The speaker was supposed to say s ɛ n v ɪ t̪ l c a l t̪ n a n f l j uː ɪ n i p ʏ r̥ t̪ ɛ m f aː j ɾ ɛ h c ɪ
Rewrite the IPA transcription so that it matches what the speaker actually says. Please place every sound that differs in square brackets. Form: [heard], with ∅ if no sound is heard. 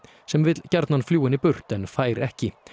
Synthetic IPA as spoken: s ɛ [m] v ɪ t̪ l c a [ɾ] t̪ n a n f l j uː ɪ n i p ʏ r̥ t̪ ɛ [n] f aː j ɾ ɛ h c ɪ